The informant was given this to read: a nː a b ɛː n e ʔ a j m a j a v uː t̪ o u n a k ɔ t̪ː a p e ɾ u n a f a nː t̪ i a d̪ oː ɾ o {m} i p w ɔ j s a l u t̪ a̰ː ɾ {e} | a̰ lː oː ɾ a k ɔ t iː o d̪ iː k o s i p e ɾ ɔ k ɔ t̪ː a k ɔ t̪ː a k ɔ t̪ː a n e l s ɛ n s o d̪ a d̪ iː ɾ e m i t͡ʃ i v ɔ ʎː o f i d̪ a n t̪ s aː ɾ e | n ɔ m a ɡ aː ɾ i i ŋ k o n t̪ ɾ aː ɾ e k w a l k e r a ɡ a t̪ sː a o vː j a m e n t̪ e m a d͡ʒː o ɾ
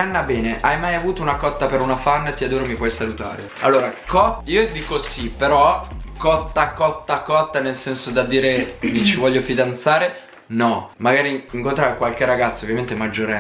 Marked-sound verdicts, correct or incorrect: correct, correct

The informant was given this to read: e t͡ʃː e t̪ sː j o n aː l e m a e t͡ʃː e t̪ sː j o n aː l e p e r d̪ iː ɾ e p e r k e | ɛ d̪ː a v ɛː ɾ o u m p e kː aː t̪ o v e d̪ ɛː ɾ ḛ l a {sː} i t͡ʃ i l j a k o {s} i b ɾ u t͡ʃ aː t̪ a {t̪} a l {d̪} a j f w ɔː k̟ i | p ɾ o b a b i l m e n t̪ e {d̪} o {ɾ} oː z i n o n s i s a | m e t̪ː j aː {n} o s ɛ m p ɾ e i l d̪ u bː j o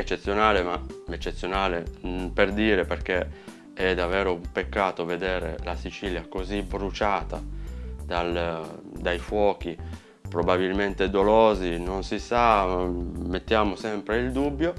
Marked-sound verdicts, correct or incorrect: incorrect, incorrect, incorrect, correct, correct, incorrect, incorrect

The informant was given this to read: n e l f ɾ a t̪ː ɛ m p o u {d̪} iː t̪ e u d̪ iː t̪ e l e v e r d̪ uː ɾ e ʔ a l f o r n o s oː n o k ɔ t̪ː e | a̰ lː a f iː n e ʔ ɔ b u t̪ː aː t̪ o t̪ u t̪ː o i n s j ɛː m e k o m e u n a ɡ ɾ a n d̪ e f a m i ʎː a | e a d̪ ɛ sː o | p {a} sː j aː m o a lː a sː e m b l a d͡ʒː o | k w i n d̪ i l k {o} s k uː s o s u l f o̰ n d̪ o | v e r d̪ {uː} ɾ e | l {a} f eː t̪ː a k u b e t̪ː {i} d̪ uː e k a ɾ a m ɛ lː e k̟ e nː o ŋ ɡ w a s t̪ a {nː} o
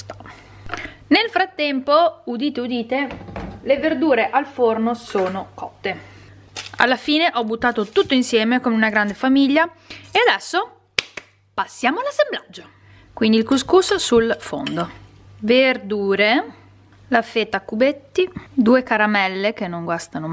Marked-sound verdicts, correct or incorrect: correct, correct, incorrect, correct, correct, correct, incorrect

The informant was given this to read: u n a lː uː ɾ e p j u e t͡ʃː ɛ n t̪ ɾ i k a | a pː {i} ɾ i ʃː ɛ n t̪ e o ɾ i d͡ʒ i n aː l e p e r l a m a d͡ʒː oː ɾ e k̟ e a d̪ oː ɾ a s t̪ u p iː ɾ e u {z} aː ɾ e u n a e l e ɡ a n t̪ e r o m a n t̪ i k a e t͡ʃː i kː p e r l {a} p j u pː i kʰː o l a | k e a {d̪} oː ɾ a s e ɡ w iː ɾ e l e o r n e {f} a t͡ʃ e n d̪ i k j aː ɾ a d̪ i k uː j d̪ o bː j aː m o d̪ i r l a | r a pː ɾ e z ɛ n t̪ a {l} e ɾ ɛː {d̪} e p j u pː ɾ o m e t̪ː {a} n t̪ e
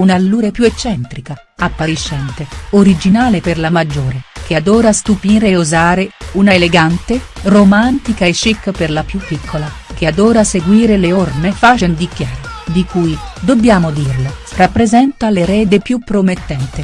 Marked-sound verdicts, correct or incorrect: incorrect, correct, correct, correct, correct, correct, correct, incorrect

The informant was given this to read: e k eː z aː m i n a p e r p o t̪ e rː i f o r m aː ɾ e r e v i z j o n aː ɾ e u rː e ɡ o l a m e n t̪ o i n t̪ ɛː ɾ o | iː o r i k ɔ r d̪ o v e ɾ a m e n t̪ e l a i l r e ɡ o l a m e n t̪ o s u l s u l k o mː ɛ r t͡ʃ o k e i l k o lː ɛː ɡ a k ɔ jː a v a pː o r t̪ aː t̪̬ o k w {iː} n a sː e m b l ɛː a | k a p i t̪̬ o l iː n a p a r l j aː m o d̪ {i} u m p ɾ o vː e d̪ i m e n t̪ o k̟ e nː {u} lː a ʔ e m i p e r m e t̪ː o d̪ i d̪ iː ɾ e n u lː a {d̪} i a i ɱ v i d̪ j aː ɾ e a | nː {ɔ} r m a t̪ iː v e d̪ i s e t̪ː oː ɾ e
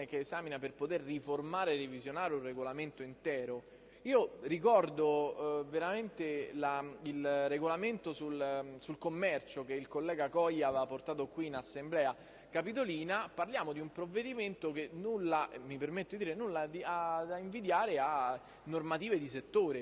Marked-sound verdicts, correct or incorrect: correct, correct, correct, correct, incorrect

